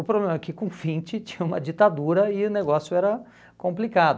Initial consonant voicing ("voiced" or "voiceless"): voiceless